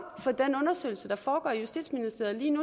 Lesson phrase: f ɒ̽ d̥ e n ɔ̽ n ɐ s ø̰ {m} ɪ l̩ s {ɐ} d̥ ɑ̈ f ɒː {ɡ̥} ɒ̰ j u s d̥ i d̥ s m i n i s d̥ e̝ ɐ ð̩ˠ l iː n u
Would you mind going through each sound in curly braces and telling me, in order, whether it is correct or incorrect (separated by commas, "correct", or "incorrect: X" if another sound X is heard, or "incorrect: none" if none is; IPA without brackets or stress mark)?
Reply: incorrect: none, incorrect: ə, correct